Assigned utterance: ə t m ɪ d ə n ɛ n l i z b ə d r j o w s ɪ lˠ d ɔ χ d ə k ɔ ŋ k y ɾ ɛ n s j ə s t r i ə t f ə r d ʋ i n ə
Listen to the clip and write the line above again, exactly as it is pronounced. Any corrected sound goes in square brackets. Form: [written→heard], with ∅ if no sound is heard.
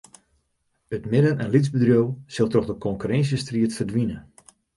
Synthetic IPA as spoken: ə t m ɪ d ə n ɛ n l i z b ə d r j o w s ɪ lˠ [d→t] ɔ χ d ə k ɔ ŋ k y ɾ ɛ n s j ə s t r i ə t f ə r d ʋ i n ə